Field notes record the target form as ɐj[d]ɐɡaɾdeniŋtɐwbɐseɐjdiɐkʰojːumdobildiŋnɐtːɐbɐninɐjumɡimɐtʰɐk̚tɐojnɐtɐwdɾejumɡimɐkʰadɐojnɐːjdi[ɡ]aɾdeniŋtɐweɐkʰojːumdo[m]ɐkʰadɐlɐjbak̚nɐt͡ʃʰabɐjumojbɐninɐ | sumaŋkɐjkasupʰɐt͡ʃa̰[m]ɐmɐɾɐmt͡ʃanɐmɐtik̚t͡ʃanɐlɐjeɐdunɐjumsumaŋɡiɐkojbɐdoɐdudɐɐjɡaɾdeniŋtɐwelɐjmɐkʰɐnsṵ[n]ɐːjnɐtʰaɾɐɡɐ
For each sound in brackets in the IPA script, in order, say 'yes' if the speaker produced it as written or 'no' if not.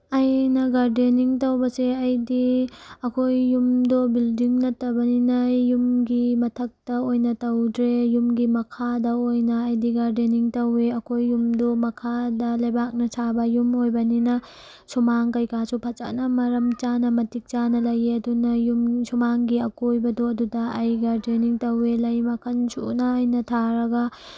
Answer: no, yes, yes, no, yes

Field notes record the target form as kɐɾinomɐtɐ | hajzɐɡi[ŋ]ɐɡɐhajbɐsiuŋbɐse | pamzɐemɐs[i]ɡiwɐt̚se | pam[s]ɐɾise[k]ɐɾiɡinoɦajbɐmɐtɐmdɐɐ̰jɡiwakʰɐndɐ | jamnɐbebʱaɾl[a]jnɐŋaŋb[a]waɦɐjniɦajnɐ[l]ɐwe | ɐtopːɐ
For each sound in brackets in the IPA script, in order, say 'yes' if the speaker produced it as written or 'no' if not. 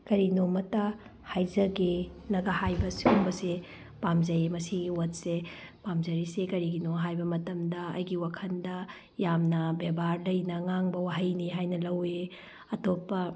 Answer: no, yes, no, yes, no, no, yes

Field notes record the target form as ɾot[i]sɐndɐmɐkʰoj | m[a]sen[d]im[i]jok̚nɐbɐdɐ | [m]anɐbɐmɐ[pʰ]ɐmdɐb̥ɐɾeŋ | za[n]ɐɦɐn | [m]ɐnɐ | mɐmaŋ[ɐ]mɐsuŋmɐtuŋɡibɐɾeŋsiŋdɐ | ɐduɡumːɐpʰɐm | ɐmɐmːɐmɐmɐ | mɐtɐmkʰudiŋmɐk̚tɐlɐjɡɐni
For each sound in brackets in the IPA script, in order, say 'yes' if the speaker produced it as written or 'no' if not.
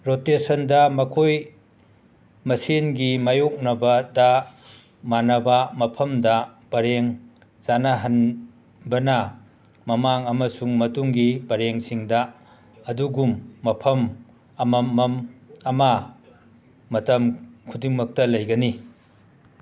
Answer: no, no, no, no, yes, yes, yes, no, yes

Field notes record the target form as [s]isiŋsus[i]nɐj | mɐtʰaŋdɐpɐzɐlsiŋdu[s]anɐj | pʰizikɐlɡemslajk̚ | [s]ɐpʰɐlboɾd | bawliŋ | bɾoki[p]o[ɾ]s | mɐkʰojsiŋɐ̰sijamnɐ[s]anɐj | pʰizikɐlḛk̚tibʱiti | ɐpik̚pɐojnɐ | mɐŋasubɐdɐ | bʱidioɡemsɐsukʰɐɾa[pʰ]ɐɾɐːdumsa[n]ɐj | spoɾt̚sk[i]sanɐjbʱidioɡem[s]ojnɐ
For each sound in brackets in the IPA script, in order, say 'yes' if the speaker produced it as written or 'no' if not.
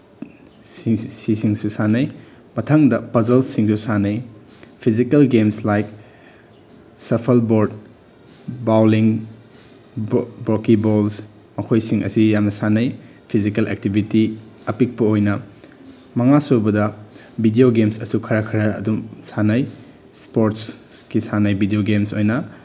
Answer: yes, no, yes, yes, no, no, yes, no, yes, yes, yes

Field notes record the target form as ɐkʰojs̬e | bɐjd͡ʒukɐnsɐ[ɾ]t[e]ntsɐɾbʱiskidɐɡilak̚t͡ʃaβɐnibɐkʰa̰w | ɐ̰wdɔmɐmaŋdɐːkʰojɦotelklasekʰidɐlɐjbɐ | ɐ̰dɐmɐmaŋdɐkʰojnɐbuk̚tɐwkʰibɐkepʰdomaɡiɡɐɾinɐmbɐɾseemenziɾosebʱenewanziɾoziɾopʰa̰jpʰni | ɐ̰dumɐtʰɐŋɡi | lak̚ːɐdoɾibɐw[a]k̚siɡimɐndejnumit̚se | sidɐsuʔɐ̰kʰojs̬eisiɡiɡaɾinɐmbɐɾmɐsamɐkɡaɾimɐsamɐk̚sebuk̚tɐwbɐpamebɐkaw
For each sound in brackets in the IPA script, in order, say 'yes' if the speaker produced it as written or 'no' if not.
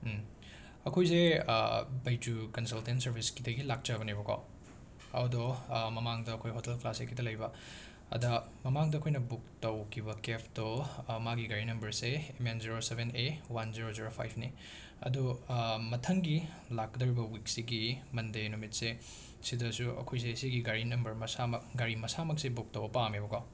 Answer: no, yes, no

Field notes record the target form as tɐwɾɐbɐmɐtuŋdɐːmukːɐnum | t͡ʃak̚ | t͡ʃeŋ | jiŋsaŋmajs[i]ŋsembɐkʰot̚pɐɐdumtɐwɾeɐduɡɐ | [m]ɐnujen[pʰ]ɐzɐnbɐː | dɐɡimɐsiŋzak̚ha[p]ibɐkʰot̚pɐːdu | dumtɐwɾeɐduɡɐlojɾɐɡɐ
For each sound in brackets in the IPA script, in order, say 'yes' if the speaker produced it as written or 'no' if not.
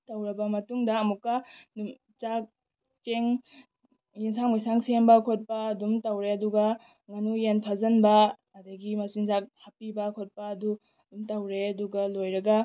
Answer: no, no, yes, yes

